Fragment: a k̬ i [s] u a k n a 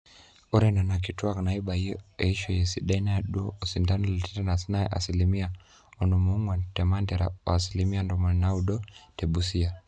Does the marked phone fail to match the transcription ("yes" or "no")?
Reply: yes